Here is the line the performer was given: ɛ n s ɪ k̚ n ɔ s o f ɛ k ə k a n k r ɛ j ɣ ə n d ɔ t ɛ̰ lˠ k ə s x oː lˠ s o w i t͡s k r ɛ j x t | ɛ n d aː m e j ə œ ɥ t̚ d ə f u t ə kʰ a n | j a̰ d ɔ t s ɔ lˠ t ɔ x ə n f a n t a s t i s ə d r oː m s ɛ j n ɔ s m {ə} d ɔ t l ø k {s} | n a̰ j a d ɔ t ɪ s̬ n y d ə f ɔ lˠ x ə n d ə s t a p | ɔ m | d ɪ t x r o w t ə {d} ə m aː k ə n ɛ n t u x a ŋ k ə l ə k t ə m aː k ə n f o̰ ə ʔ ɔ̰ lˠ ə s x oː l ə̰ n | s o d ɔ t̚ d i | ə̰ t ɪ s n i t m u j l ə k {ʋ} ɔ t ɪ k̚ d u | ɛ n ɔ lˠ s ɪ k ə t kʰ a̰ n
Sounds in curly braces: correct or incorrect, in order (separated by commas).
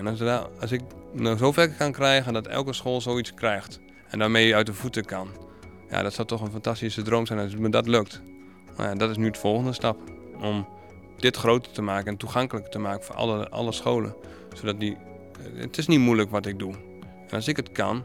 correct, incorrect, incorrect, correct